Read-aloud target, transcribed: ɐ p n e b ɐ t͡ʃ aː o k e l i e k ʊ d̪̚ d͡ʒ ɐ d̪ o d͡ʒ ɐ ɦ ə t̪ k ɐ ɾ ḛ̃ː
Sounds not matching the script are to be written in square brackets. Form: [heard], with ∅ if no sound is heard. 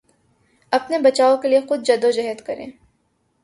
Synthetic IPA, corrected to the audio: ɐ p n e b ɐ t͡ʃ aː o k e l i e [x] ʊ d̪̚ d͡ʒ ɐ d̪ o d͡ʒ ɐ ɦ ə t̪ k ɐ ɾ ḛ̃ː